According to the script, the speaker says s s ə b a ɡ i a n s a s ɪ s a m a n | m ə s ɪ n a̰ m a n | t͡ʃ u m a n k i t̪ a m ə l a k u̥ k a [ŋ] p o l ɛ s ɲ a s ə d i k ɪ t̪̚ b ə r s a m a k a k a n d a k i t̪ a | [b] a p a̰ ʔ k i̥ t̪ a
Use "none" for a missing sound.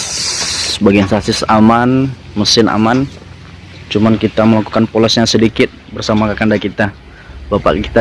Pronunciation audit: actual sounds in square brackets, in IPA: n, b

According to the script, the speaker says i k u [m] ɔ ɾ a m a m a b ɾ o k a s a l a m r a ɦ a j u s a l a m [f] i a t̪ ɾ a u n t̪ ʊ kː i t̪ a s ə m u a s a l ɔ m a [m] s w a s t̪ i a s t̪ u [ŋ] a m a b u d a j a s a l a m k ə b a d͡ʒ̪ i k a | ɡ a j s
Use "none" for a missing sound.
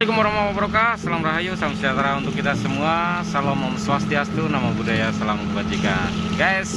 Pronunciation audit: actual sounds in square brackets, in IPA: m, s, m, n

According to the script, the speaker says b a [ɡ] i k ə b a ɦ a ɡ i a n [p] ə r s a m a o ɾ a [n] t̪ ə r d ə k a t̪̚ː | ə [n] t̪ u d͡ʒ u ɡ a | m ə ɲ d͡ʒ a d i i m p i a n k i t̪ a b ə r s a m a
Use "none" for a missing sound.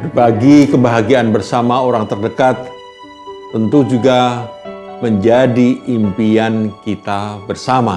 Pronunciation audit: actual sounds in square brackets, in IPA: ɡ, b, ŋ, n

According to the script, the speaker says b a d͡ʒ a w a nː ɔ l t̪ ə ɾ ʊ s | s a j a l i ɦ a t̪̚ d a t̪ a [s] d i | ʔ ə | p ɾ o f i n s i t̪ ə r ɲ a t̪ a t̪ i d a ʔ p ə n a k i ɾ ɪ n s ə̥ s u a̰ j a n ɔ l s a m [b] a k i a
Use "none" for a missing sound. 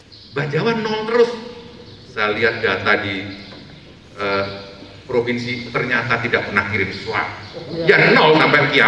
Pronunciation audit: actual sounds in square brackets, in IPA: none, p

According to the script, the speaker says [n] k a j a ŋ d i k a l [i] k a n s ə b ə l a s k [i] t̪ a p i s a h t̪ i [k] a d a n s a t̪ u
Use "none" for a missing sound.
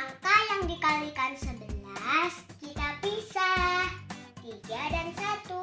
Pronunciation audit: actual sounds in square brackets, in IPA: ŋ, i, i, ɡ

